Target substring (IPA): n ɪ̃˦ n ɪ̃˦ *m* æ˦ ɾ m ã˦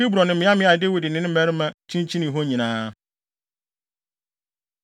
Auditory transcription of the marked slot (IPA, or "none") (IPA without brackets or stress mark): m